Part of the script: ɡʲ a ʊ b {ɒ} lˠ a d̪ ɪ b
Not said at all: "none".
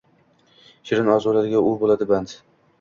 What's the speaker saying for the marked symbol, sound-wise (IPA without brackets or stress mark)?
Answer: o